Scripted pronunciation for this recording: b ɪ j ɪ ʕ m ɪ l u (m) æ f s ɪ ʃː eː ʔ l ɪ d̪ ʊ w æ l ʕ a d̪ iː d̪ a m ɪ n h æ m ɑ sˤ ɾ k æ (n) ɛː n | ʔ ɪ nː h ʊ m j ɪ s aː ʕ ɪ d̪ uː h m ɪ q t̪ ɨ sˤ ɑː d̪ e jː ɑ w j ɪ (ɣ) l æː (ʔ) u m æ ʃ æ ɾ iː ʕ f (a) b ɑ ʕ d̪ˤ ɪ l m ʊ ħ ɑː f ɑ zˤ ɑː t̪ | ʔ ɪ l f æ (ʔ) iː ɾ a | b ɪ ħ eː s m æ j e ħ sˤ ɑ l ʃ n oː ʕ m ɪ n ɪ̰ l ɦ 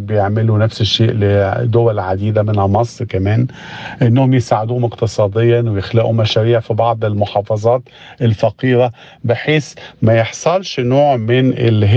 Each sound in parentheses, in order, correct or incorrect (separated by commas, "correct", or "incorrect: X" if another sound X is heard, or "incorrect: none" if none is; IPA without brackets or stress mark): incorrect: n, incorrect: m, incorrect: x, correct, incorrect: i, incorrect: q